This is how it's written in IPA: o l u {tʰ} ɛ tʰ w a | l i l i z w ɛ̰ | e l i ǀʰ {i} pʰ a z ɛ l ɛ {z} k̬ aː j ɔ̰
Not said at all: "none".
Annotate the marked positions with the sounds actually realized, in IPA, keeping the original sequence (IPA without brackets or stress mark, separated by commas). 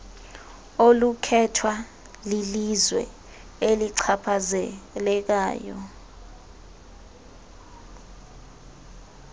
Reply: kʰ, a, none